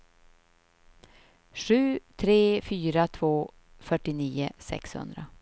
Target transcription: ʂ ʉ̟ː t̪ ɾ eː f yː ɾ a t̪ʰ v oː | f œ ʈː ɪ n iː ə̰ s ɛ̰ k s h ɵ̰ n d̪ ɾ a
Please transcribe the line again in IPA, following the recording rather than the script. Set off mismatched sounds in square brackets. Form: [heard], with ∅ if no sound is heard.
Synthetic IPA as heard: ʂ ʉ̟ː [t̪ʰ] ɾ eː f yː ɾ a t̪ʰ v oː | f œ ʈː ɪ n iː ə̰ s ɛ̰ k s h ɵ̰ n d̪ ɾ a